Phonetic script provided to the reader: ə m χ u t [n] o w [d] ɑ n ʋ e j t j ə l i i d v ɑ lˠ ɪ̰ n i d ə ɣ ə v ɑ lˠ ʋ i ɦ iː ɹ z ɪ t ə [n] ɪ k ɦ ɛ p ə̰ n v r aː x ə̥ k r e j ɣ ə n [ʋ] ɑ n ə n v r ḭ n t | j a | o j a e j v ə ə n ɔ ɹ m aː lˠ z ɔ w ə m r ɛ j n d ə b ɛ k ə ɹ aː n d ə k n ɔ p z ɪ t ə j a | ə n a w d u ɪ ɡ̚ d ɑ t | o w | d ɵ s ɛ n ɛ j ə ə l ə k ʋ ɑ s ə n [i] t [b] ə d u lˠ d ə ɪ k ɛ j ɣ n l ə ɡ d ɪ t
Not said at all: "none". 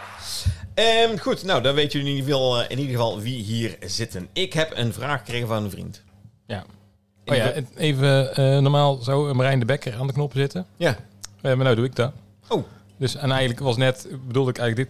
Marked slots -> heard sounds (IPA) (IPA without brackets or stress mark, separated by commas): n, d, n, v, ɛ, b